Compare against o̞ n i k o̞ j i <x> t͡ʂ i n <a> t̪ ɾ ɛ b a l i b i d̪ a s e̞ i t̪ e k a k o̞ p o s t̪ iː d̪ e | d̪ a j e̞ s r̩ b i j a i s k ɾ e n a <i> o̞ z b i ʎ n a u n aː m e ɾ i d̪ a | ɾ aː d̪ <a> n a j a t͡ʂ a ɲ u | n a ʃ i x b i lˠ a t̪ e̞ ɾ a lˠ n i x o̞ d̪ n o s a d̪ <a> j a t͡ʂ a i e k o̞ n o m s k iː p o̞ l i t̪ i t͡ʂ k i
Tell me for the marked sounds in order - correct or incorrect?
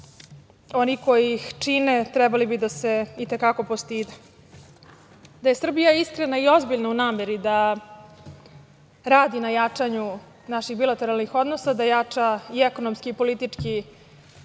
correct, incorrect: e, correct, incorrect: i, correct

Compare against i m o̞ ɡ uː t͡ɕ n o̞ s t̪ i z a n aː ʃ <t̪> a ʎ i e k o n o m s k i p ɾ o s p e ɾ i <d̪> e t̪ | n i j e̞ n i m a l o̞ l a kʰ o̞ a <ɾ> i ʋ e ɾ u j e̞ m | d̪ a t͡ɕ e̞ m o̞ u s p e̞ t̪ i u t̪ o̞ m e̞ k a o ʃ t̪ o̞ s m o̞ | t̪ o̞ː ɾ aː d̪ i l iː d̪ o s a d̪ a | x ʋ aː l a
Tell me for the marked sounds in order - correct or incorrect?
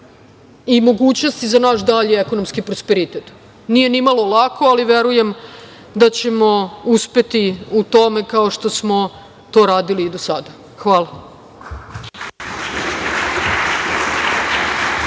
incorrect: d̪, incorrect: t̪, incorrect: l

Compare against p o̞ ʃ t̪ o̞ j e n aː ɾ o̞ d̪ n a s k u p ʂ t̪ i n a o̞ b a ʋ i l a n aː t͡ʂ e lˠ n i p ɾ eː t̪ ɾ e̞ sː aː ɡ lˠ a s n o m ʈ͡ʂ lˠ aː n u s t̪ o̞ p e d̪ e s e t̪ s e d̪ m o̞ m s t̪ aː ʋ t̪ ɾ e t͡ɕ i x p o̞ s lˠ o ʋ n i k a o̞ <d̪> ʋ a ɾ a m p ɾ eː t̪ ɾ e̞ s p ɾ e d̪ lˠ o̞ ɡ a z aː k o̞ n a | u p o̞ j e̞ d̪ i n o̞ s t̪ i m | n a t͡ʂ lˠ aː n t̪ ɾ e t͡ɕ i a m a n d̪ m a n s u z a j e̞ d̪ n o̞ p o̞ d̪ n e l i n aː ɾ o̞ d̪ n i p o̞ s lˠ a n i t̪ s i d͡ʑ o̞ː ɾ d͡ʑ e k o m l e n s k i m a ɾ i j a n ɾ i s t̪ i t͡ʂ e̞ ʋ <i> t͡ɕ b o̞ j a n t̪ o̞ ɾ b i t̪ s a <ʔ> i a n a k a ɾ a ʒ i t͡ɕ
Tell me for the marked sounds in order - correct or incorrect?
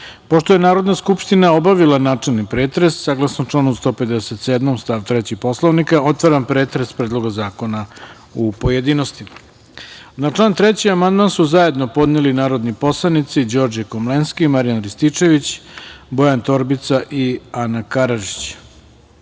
incorrect: t̪, correct, correct

